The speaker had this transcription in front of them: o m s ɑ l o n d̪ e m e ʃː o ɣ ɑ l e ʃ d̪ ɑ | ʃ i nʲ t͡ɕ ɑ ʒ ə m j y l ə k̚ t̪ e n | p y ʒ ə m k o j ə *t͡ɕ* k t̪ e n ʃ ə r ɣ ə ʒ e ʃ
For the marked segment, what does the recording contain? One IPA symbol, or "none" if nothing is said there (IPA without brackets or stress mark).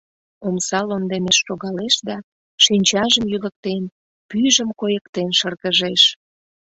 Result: none